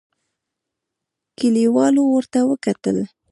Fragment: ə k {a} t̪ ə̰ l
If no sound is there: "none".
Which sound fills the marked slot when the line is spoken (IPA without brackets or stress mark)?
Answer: a